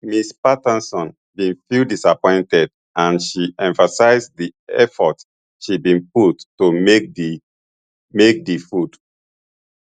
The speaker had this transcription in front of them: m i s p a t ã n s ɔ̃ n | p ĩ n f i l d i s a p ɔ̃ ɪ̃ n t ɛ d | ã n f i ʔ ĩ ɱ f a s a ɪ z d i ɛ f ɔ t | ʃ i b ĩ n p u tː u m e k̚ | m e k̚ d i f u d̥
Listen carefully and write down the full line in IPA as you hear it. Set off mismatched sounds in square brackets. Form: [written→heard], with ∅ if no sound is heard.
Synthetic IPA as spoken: m i s p a t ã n s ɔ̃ n | [p→b] ĩ n f i l d i s a p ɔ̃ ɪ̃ n t ɛ d | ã n [f→ʃ] i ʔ [ĩ→ɛ̃] ɱ f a s a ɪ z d i ɛ f ɔ t | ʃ i b ĩ n p u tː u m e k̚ | m e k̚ d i f u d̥